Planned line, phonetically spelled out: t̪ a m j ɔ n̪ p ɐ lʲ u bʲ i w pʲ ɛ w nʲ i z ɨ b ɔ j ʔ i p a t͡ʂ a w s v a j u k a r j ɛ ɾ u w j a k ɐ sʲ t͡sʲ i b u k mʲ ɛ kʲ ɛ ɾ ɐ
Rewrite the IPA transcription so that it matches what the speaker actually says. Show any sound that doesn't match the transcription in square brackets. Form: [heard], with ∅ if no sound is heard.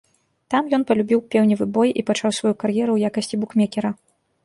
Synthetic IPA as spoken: t̪ a m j ɔ n̪ p ɐ lʲ u bʲ i w pʲ ɛ w nʲ i [v] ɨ b ɔ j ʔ i p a t͡ʂ a w s v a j u k a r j ɛ ɾ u w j a k ɐ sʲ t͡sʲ i b u k mʲ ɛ kʲ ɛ ɾ ɐ

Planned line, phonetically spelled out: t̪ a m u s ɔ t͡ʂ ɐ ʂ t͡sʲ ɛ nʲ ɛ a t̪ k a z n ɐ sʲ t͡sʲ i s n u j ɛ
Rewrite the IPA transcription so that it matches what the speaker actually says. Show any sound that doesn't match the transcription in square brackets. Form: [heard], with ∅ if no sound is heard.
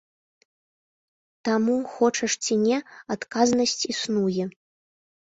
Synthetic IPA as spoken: t̪ a m u [x] ɔ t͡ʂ ɐ ʂ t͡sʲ [i] nʲ ɛ a t̪ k a z n ɐ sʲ t͡sʲ i s n u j ɛ

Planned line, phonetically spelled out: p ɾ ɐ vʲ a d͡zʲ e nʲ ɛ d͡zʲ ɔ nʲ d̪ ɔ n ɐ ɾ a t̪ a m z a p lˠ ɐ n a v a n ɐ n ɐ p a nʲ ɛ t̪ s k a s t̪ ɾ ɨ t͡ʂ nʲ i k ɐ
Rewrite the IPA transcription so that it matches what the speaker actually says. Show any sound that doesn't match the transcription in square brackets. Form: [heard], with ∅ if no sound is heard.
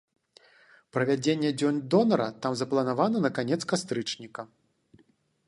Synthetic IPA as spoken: p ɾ ɐ vʲ a d͡zʲ e [nʲː] ɛ d͡zʲ ɔ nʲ d̪ ɔ n ɐ ɾ [ɐ] t̪ a m z [ɐ] p lˠ ɐ n a v a n ɐ n ɐ [k] a nʲ ɛ t̪ s k a s t̪ ɾ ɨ t͡ʂ nʲ i k ɐ

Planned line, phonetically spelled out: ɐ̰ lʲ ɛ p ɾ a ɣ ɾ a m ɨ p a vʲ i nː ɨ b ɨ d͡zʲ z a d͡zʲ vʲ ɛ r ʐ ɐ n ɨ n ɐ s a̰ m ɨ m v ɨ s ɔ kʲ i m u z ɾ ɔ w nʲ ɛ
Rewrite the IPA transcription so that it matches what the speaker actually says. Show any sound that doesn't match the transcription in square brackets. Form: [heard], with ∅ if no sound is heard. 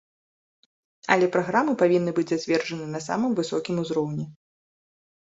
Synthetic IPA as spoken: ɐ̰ lʲ ɛ p ɾ a ɣ ɾ a m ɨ p a vʲ i nː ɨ b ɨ d͡zʲ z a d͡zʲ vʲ ɛ r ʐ ɐ n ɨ n ɐ s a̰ m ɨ m v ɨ s ɔ kʲ i m u z ɾ ɔ w nʲ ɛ

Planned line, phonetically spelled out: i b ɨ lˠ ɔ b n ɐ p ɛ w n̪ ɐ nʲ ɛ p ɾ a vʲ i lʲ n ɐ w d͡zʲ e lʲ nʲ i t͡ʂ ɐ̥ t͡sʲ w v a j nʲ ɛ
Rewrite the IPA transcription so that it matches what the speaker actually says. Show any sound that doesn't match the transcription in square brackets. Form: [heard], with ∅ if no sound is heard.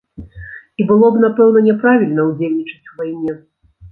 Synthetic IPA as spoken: i b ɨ lˠ ɔ b n [a] p ɛ w n̪ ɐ nʲ ɛ p ɾ a vʲ i lʲ n ɐ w d͡zʲ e lʲ nʲ i t͡ʂ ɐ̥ t͡sʲ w v a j nʲ ɛ

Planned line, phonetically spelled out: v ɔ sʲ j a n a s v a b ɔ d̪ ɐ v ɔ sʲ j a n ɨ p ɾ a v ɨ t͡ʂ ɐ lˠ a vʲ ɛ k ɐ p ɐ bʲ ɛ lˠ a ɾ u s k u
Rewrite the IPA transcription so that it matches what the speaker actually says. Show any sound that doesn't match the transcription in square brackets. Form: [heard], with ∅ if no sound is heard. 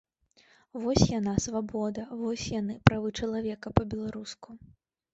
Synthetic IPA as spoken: v ɔ sʲ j a n a s v a b ɔ d̪ ɐ v ɔ sʲ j a n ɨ p ɾ a v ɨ t͡ʂ ɐ lˠ a vʲ ɛ k ɐ p ɐ bʲ ɛ lˠ a ɾ u s k u

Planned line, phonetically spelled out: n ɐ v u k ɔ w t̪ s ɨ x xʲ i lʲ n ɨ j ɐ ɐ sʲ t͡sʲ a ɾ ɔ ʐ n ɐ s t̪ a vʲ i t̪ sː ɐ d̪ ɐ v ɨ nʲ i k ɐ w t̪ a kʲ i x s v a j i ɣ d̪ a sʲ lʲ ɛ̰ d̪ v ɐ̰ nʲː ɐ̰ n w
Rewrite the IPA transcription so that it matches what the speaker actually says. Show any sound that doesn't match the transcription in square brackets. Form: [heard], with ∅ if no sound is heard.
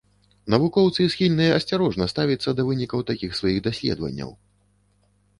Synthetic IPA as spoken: n ɐ v u k ɔ w t̪ s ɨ [s] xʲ i lʲ n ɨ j ɐ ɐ sʲ t͡sʲ a ɾ ɔ ʐ n ɐ s t̪ a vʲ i t̪ sː ɐ d̪ ɐ v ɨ nʲ i k ɐ w t̪ a kʲ i x s v a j i ɣ d̪ a sʲ lʲ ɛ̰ d̪ v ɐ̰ nʲː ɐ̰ [∅] w

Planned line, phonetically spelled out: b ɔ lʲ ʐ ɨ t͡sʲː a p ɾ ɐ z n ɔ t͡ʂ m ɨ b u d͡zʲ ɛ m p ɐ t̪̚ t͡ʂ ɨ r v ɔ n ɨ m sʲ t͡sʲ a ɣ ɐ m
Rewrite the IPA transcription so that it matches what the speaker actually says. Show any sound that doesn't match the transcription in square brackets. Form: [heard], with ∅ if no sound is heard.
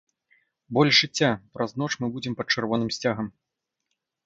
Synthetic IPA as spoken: b ɔ lʲ ʐ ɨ t͡sʲː a p ɾ ɐ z n ɔ t͡ʂ m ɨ b u d͡zʲ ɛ m p ɐ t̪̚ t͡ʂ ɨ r v ɔ n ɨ m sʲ t͡sʲ a ɣ ɐ m

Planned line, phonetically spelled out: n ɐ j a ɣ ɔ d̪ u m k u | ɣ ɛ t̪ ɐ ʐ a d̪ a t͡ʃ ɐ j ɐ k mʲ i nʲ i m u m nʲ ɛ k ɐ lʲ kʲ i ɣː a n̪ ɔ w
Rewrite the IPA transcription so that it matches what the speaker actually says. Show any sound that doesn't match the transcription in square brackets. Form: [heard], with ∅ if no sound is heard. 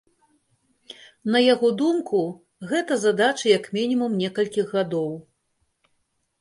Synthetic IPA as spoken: n ɐ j a ɣ ɔ d̪ u m k u | ɣ ɛ t̪ ɐ [z] a d̪ a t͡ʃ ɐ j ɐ k mʲ i nʲ i m u m nʲ ɛ k ɐ lʲ kʲ i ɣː a [d̪] ɔ w

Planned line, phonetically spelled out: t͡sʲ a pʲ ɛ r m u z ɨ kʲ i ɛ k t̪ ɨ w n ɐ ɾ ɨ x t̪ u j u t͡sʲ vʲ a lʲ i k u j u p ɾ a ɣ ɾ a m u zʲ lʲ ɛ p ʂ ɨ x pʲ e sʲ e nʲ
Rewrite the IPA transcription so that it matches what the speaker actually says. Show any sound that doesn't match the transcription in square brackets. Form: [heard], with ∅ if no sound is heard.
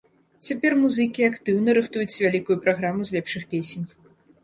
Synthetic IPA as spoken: t͡sʲ a pʲ ɛ r m u z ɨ kʲ i [a] k t̪ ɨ w n ɐ ɾ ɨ x t̪ u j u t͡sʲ vʲ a lʲ i k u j u p ɾ a ɣ ɾ a m u zʲ lʲ ɛ p ʂ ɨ x pʲ e sʲ e nʲ

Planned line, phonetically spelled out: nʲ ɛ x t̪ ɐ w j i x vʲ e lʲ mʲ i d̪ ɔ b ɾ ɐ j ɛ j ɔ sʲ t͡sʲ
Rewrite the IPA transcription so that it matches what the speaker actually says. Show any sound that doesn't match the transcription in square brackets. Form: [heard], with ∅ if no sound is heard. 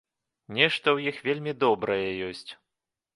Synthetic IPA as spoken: nʲ ɛ [ʂ] t̪ ɐ w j i x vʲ e lʲ mʲ i d̪ ɔ b ɾ ɐ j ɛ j ɔ sʲ t͡sʲ

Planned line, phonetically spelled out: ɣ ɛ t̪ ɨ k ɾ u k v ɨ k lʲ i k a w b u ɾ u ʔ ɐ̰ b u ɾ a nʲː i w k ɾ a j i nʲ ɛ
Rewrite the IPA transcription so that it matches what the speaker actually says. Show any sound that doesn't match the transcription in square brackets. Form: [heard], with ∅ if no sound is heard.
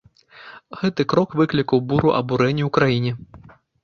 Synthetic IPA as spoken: ɣ ɛ t̪ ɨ k ɾ [ɔ] k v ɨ k lʲ i k [ɐ] w b u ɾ u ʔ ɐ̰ b u ɾ [ɛ] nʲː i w k ɾ a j i nʲ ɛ

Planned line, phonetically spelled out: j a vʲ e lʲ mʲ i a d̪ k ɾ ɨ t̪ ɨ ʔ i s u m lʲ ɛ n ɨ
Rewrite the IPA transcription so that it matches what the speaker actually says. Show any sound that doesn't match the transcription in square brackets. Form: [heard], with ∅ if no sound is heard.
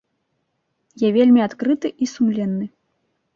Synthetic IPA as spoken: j a vʲ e lʲ mʲ i a [t̪] k ɾ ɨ t̪ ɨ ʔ i s u m lʲ ɛ [nː] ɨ

